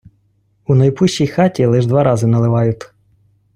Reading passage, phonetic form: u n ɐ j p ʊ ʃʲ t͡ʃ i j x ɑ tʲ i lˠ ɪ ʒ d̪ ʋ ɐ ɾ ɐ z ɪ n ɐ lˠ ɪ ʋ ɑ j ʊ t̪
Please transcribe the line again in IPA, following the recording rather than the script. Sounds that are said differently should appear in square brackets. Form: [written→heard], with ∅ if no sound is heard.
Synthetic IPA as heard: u n ɐ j p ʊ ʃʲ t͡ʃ i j x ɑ tʲ i lˠ ɪ ʒ d̪ ʋ [ɐ→ɑ] ɾ [ɐ→ɑ] z ɪ n ɐ lˠ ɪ ʋ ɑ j ʊ t̪